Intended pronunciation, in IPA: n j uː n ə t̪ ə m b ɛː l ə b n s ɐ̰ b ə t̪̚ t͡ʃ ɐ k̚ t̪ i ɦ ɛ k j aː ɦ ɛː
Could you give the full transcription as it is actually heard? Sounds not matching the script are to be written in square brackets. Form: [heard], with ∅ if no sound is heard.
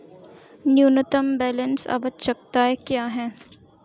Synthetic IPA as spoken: n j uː n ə t̪ ə m b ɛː l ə [∅] n s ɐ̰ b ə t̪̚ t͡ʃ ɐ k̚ t̪ [a] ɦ ɛ k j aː ɦ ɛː